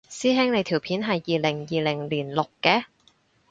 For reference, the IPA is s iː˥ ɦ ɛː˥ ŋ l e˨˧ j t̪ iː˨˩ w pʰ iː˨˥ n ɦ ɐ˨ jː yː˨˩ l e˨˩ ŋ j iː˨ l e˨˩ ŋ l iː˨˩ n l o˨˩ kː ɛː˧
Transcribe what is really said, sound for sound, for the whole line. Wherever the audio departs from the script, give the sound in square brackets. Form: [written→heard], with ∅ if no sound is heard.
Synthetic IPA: s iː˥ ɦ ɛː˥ ŋ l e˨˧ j [t̪→t̪ʰ] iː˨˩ w pʰ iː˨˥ n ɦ ɐ˨ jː [yː˨˩→iː˨˩] l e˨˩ ŋ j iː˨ l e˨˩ ŋ l iː˨˩ n l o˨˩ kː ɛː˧